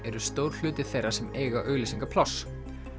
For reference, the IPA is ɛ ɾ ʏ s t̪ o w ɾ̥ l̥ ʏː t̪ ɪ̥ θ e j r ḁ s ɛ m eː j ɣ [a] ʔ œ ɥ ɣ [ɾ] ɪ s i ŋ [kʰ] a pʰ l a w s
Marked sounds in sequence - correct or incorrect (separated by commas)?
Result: correct, incorrect, incorrect